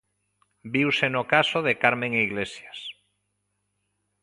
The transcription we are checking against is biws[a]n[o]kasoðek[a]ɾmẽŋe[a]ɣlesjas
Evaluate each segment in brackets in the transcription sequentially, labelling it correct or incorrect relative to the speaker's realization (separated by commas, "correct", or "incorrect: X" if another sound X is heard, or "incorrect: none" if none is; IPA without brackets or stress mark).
incorrect: e, correct, correct, incorrect: i